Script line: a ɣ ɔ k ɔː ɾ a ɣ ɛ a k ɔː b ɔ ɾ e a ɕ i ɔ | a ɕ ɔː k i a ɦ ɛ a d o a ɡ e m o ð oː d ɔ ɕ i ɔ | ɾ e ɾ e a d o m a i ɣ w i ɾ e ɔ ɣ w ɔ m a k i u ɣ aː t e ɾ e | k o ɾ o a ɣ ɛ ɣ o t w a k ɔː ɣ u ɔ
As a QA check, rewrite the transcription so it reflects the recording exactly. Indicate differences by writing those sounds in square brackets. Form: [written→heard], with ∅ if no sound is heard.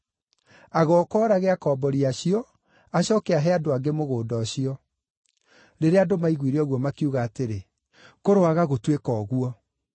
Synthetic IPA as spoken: a ɣ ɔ k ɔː ɾ a ɣ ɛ a k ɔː b ɔ ɾ [e→i] a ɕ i ɔ | a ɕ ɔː k [i→ɛ] a ɦ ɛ a d o a ɡ e m o [ð→ɣ] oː d ɔ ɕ i ɔ | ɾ e ɾ e a d o m a i ɣ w i ɾ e ɔ ɣ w ɔ m a k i u ɣ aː t e ɾ e | k o ɾ o a ɣ [ɛ→a] ɣ o t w [a→e] k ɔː ɣ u ɔ